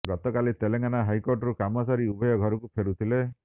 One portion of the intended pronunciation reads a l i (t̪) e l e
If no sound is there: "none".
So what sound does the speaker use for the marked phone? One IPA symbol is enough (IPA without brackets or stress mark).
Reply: t̪